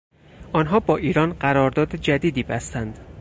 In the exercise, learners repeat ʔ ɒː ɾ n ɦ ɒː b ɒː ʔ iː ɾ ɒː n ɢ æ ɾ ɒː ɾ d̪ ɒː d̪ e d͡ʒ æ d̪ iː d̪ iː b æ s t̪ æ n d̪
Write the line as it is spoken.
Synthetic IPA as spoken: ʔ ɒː n ɦ ɒː b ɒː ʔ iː ɾ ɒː n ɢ æ ɾ ɒː ɾ d̪ ɒː d̪ e d͡ʒ æ d̪ iː d̪ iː b æ s t̪ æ n d̪